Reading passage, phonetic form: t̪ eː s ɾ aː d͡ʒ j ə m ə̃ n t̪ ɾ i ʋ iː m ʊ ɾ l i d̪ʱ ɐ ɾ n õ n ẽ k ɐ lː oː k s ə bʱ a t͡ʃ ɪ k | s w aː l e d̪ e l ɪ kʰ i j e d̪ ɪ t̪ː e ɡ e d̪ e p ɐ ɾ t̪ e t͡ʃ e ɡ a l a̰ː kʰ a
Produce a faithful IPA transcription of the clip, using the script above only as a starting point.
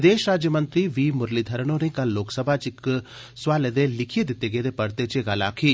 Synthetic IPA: d̪ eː ʃ ɾ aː d͡ʒ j ə m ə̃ n t̪ ɾ i ʋ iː m ʊ ɾ l i d̪ʱ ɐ ɾ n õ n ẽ k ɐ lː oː k s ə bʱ a t͡ʃ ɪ k | s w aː l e d̪ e l ɪ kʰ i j e d̪ ɪ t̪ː e ɡ e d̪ e p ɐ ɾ t̪ e t͡ʃ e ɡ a l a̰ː kʰ i